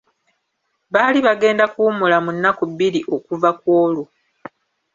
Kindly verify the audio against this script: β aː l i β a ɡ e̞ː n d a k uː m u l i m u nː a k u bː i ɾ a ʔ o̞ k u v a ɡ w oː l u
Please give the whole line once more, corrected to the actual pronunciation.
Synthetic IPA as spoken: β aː l i β a ɡ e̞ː n d a k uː m u l a m u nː a k u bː i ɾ i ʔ o̞ k u v a k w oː l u